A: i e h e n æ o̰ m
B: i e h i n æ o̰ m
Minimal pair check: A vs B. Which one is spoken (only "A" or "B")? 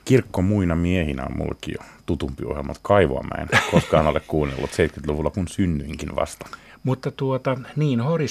B